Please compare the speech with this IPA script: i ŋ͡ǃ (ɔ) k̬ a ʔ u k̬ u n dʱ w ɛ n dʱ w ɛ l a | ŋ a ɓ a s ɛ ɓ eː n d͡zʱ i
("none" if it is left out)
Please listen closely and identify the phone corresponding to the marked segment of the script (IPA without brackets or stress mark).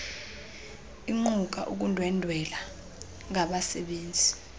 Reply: u